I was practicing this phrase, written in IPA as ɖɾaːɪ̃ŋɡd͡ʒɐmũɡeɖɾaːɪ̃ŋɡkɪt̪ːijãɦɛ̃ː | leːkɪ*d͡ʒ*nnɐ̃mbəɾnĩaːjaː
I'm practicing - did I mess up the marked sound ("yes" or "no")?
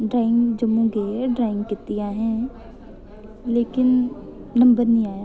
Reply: yes